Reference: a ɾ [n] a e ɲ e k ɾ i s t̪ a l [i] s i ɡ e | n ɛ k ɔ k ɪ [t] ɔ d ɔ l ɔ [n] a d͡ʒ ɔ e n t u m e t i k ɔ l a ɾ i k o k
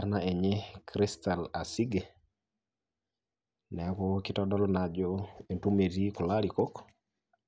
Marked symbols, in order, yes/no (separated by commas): yes, no, yes, yes